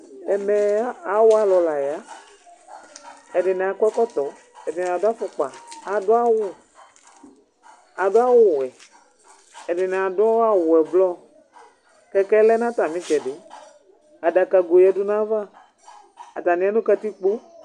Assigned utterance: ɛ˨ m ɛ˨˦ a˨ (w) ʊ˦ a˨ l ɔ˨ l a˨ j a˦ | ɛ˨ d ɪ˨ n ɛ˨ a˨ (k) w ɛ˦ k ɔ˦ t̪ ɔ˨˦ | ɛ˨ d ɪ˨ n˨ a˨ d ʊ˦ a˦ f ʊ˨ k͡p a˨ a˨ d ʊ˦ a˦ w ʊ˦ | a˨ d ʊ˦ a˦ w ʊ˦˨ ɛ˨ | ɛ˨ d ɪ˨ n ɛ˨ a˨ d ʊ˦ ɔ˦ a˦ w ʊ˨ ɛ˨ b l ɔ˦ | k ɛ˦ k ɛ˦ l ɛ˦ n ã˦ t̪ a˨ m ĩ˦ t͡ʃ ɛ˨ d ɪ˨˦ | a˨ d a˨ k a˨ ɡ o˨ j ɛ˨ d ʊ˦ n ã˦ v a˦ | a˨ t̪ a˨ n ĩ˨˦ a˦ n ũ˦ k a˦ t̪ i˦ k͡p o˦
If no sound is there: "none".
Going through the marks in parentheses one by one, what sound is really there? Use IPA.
w, k

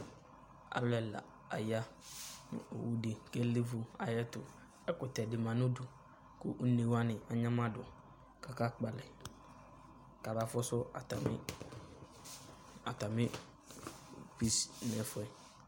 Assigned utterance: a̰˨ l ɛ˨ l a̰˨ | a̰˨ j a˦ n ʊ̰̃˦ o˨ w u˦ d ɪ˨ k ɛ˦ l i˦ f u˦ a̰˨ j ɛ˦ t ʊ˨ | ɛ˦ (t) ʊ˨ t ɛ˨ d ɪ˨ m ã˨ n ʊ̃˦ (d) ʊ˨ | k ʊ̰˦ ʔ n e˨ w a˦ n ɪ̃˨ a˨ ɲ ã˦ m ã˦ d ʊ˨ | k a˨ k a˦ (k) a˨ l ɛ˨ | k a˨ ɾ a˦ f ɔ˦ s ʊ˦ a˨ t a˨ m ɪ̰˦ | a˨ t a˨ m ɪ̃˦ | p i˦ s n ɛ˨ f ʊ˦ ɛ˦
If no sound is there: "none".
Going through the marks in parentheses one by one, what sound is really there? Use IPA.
k, d, k͡p

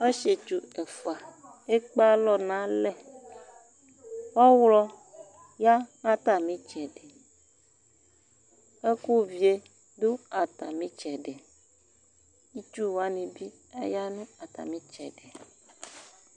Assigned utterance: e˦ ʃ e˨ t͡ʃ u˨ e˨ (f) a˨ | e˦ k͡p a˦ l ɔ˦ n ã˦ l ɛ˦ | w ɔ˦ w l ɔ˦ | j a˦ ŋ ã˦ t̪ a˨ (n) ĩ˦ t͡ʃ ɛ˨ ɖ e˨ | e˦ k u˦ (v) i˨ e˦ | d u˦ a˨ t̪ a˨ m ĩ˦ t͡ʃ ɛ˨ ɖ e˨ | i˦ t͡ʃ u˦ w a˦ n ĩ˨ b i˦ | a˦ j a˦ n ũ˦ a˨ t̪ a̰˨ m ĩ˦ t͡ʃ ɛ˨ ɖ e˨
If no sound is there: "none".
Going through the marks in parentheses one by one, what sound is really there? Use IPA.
f, m, v

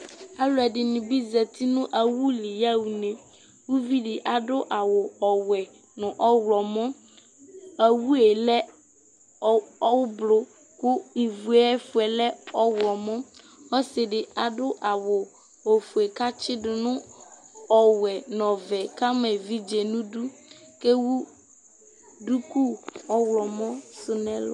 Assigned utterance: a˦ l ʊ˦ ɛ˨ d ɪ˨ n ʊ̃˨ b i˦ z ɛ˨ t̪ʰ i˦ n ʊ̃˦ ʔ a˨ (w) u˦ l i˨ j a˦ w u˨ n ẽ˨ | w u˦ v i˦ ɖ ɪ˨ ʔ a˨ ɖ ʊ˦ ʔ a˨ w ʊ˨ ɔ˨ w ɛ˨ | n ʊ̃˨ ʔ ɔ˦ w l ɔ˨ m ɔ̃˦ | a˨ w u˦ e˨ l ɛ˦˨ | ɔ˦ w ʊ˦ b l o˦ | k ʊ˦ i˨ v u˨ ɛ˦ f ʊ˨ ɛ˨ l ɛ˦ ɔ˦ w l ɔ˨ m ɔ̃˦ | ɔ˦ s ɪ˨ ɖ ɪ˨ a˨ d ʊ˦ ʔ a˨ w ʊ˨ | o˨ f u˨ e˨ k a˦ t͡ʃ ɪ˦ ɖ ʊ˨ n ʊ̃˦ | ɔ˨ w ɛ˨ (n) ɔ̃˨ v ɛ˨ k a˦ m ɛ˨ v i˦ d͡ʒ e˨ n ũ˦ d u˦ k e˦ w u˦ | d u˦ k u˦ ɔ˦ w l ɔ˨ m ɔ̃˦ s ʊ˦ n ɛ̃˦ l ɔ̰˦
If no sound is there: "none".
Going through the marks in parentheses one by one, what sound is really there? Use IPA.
w, n

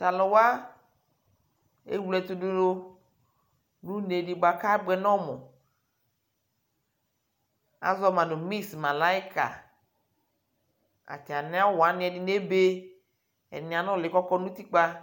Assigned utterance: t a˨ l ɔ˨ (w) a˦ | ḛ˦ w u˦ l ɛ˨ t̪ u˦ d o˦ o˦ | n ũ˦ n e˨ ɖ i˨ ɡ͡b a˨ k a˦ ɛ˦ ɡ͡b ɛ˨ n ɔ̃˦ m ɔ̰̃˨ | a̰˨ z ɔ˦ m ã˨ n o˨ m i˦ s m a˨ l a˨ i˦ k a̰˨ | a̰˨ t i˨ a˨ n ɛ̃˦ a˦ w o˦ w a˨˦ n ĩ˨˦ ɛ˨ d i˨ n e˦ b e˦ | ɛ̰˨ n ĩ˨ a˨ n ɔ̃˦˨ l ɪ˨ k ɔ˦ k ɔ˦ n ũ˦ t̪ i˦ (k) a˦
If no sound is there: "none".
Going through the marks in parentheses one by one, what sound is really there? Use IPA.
w, k͡p

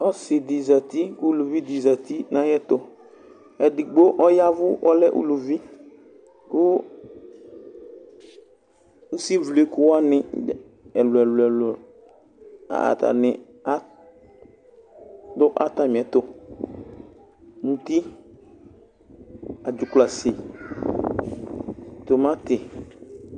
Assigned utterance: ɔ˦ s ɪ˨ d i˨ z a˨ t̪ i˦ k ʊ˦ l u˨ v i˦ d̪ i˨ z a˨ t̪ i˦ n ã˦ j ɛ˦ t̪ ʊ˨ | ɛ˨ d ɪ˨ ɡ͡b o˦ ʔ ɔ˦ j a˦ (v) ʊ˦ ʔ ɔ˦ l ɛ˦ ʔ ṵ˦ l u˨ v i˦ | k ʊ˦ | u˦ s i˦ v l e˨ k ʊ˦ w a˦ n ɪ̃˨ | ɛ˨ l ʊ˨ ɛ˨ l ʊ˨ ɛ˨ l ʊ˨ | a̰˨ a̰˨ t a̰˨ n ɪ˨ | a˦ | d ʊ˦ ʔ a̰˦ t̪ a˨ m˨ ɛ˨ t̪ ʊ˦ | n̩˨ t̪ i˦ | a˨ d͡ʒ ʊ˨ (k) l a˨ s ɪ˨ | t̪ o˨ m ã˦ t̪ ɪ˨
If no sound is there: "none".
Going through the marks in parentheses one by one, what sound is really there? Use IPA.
v, k

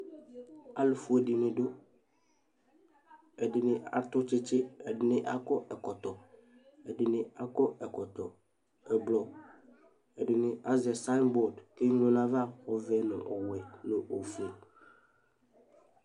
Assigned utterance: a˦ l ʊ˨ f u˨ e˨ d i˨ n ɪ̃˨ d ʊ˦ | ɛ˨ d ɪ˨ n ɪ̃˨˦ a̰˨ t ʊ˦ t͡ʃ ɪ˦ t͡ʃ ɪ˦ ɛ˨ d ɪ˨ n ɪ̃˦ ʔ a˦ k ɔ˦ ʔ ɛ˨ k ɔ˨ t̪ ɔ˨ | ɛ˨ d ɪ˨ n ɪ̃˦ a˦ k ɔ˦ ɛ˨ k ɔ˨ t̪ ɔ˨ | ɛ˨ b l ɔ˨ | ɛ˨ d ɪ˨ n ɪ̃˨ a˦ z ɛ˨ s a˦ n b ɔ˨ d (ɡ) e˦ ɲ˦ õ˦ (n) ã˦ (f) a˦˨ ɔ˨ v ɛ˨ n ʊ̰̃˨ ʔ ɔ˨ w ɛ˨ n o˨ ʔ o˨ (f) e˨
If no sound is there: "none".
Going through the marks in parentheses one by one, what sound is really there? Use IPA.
k, n, v, f

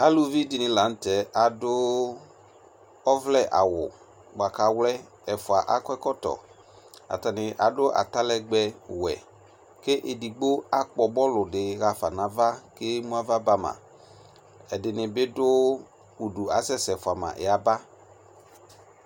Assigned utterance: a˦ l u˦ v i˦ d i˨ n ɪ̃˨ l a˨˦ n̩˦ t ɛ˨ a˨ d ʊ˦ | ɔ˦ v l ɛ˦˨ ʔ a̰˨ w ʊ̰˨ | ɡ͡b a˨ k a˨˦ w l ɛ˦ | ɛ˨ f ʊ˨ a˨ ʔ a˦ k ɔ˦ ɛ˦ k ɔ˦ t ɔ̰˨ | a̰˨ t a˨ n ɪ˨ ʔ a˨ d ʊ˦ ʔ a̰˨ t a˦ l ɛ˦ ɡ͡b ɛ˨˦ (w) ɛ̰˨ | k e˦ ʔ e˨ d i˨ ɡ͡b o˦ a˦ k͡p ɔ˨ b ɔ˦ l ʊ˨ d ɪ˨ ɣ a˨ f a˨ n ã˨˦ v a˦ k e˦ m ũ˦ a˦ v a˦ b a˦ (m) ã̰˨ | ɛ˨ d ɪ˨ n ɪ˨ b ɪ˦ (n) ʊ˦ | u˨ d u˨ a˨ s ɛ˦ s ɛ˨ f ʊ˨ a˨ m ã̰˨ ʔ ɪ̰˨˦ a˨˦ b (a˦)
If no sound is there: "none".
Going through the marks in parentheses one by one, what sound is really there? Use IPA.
w, m, d, a˦

